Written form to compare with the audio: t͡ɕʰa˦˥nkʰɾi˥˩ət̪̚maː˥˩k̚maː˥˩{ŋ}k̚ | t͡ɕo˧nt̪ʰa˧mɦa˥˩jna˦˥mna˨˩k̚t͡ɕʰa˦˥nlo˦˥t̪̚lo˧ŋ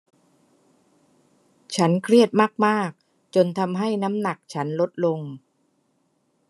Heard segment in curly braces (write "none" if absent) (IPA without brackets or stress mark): none